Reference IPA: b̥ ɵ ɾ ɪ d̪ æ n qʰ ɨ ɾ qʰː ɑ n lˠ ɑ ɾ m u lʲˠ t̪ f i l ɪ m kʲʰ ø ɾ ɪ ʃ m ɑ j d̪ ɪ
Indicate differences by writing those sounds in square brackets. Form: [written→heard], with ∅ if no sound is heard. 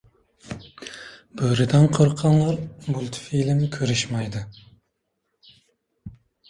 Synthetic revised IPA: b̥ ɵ ɾ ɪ d̪ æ n qʰ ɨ ɾ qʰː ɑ n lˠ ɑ ɾ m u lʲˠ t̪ f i l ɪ m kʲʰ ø ɾ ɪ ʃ m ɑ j d̪ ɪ

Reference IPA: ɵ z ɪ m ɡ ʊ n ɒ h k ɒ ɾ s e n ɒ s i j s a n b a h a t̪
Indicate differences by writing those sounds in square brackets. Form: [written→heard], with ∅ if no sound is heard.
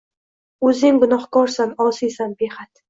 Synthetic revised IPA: ɵ z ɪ [m→ŋ] ɡ ʊ n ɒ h k ɒ ɾ s [e→a] n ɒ s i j s a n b [a→e] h a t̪

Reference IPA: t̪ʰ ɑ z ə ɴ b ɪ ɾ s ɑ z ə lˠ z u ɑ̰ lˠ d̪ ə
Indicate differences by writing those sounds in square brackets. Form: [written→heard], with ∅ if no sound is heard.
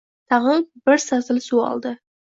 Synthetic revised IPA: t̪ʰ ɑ [z→ʁ] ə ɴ b ɪ ɾ s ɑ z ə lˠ [z→s] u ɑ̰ lˠ d̪ ə

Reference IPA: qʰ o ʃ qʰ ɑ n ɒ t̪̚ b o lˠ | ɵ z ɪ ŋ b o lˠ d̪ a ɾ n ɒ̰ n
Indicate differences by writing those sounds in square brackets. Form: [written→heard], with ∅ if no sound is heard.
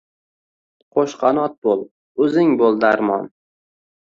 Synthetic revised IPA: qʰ o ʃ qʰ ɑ n ɒ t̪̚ b o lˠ | ɵ z ɪ ŋ b o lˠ d̪ a ɾ [n→m] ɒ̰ n

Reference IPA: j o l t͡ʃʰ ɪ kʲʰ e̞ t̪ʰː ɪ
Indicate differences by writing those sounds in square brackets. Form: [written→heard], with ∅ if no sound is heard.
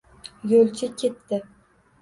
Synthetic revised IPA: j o l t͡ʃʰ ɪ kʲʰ e̞ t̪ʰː ɪ

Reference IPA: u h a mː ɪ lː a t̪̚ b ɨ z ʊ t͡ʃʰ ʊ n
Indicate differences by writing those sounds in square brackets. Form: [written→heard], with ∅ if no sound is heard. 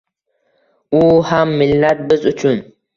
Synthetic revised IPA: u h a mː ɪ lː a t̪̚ b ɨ z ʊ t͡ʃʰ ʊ n

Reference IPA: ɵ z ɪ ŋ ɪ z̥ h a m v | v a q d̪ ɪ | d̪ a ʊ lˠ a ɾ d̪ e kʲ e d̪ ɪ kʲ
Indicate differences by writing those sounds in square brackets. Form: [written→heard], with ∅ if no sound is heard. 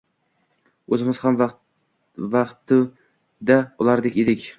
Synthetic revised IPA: ɵ z ɪ [ŋ→m] ɪ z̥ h a m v | v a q [d̪→t̪] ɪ | d̪ a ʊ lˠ a ɾ d̪ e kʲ e d̪ ɪ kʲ

